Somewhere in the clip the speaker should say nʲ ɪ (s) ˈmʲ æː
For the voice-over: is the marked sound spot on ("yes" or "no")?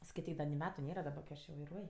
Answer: no